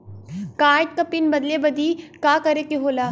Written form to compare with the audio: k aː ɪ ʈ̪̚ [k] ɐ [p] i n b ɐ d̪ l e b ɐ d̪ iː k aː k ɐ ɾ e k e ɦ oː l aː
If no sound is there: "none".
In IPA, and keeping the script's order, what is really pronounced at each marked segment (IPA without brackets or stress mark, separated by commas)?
k, p